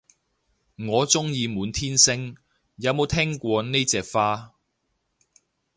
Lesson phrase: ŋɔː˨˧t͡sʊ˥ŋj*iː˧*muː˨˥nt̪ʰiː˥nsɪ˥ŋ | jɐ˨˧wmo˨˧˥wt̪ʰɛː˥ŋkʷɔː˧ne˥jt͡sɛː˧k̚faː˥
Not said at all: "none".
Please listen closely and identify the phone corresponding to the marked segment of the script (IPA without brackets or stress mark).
iː˧